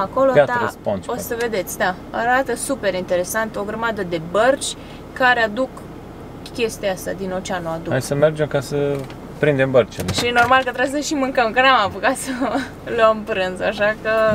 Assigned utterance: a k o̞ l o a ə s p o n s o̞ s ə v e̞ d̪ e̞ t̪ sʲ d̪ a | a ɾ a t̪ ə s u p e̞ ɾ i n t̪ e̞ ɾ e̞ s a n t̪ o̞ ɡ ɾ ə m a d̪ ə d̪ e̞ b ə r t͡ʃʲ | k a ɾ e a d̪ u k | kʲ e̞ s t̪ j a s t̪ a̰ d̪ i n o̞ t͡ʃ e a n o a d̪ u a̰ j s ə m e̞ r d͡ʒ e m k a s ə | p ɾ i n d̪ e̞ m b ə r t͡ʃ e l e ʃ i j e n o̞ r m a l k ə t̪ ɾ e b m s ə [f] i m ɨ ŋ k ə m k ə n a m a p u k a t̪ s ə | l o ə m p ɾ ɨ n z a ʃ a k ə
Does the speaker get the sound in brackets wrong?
yes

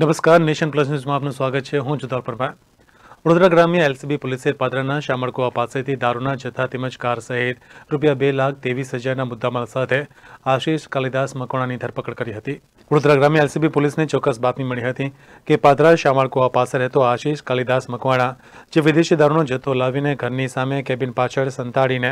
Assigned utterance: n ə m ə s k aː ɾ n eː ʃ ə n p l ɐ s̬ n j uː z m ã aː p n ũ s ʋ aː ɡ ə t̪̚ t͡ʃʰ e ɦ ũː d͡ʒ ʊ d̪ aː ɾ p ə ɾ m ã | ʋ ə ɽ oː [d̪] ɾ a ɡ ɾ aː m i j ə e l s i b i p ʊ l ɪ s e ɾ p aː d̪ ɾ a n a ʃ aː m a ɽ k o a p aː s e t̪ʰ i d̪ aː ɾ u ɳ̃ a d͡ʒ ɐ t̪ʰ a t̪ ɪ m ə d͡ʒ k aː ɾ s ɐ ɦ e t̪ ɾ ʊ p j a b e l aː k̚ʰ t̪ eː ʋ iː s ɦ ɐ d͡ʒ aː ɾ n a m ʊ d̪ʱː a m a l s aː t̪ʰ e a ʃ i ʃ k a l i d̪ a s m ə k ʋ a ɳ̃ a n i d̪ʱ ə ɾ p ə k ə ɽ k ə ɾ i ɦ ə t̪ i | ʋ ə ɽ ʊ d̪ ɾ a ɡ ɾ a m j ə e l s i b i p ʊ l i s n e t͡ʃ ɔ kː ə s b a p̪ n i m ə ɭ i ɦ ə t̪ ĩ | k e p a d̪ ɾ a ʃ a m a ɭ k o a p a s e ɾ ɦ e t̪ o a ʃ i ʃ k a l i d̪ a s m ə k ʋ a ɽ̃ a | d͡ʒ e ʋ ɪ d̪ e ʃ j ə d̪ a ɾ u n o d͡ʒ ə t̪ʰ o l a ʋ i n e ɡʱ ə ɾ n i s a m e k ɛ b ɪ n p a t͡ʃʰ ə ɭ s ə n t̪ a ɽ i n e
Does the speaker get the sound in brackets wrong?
no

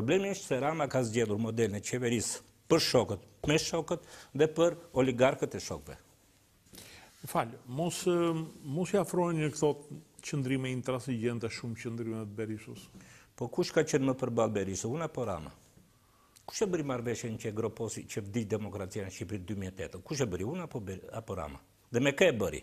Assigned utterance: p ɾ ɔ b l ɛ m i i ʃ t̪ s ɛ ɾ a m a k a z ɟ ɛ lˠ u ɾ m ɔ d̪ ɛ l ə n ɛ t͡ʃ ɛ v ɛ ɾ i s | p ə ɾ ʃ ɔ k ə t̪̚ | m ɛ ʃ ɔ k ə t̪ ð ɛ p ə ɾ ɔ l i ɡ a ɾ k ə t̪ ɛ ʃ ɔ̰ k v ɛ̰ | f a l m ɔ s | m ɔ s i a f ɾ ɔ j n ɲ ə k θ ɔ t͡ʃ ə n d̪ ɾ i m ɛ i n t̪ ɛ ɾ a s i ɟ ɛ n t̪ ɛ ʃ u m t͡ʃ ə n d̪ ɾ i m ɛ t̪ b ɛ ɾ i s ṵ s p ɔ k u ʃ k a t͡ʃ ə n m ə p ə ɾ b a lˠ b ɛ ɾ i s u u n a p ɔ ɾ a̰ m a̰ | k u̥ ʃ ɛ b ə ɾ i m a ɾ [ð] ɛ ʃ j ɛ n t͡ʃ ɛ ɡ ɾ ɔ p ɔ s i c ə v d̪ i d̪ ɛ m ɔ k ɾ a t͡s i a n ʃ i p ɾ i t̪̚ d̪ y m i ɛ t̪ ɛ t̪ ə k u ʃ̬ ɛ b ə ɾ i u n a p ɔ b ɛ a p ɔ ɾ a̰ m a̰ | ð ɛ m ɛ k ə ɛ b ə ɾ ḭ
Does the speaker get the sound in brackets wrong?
yes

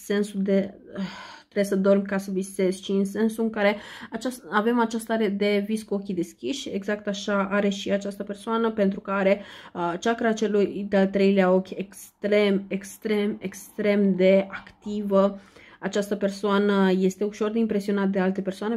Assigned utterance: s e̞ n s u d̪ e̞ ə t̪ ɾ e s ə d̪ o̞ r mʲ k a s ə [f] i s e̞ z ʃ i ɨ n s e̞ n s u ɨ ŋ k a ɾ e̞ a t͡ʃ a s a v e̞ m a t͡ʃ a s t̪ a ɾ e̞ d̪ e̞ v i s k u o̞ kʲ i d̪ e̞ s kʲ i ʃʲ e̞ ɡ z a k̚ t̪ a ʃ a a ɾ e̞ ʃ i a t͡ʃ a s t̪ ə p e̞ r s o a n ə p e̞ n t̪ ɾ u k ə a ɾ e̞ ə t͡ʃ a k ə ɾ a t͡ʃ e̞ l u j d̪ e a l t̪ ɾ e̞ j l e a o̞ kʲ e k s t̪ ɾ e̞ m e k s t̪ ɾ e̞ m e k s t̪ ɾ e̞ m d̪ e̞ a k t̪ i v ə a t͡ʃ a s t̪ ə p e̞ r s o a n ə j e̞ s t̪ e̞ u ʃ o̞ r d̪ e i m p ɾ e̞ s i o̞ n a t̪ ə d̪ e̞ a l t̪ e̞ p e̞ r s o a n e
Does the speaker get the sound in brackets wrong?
yes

